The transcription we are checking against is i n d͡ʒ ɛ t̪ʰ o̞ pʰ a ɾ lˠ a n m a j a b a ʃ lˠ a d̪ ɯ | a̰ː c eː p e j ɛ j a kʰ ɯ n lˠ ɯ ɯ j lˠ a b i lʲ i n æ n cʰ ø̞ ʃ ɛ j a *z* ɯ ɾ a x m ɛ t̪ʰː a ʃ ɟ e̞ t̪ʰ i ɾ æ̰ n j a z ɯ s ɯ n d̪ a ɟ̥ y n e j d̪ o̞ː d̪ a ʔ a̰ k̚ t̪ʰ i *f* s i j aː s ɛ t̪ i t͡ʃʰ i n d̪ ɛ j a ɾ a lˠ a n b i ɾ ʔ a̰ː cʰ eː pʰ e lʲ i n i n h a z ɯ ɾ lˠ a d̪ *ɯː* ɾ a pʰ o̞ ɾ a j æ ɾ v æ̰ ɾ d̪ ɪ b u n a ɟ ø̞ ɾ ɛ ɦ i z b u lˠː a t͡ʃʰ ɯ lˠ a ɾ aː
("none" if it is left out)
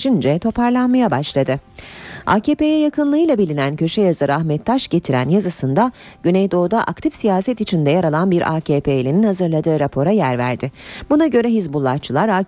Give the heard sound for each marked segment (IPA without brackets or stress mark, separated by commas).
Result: z, f, ɯː